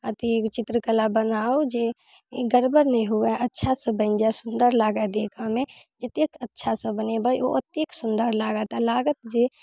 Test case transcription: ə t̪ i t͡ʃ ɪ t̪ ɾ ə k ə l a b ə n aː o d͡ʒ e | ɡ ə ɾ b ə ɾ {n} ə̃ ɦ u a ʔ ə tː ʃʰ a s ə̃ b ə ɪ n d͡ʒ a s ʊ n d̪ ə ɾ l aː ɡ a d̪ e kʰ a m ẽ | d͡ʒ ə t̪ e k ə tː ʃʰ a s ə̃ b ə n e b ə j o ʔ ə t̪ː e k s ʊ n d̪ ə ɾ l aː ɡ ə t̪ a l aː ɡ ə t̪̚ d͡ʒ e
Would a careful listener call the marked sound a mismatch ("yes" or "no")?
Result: no